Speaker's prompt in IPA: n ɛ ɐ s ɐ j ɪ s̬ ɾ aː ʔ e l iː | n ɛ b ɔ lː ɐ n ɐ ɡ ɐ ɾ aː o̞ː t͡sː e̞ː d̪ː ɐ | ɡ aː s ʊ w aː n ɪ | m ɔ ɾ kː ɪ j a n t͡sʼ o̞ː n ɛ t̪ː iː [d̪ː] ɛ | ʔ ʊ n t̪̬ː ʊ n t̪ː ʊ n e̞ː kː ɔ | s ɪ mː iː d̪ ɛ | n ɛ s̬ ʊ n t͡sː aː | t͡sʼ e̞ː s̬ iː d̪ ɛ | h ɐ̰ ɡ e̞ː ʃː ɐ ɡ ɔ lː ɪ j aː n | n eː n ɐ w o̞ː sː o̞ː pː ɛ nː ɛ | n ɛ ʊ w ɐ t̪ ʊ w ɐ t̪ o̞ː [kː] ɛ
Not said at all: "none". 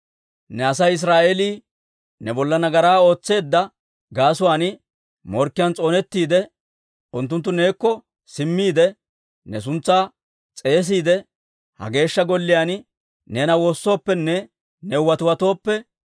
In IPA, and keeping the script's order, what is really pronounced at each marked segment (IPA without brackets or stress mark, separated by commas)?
d̪, pː